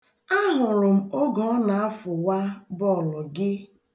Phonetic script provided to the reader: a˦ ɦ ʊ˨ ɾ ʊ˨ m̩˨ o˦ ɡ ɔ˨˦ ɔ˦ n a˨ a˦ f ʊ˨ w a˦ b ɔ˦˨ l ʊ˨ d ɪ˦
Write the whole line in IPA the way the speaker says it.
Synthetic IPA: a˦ ɦ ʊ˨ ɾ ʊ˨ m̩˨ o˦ ɡ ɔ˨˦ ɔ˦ n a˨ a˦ f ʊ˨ w a˦ b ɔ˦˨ l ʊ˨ ɡ ɪ˦